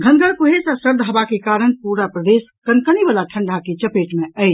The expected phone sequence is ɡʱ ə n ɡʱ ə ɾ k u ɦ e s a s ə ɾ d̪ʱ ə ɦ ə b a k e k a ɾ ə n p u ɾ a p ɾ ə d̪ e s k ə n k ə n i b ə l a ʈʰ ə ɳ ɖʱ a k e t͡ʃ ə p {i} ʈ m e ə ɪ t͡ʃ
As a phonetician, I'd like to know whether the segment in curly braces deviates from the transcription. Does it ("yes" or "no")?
yes